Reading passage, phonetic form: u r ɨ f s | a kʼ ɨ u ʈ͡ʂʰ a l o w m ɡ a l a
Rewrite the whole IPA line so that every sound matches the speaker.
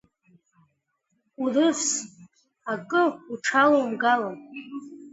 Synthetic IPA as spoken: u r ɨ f s | a kʼ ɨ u ʈ͡ʂʰ a l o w m ɡ a l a